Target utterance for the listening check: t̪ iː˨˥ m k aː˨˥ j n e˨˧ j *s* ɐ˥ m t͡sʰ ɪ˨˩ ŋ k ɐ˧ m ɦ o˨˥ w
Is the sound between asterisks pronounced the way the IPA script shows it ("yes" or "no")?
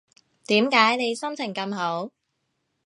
yes